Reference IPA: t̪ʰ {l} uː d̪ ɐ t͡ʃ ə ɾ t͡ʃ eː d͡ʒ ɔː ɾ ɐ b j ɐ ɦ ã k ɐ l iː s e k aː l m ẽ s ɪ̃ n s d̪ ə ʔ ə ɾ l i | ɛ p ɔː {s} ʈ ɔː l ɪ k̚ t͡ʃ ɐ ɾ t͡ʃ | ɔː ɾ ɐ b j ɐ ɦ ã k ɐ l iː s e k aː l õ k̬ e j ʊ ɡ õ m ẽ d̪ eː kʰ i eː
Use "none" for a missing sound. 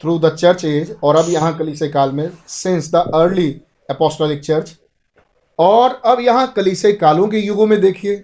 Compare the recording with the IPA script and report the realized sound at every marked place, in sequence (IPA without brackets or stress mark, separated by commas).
ɾ, s